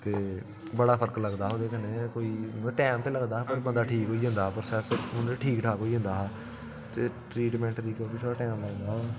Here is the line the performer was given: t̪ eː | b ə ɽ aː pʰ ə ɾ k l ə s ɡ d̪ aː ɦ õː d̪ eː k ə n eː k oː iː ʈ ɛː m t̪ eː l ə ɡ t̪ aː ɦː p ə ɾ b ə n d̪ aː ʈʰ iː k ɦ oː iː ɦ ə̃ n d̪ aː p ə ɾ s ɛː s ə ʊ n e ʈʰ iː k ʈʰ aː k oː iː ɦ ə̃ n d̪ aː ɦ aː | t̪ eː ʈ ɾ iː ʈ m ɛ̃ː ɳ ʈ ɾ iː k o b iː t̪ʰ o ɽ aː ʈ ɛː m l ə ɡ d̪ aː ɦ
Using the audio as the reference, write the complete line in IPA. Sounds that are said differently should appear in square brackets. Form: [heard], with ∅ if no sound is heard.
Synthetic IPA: t̪ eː | b ə ɽ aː pʰ ə ɾ k l ə [∅] ɡ d̪ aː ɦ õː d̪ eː k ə n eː k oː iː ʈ ɛː m t̪ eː l ə ɡ [d̪] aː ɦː p ə ɾ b ə n d̪ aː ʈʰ iː k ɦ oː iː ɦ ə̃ n d̪ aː p ə ɾ s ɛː s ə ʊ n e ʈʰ iː k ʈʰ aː k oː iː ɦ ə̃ n d̪ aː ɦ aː | t̪ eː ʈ ɾ iː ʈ m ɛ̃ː ɳ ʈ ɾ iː k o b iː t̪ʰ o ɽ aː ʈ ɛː m l ə ɡ d̪ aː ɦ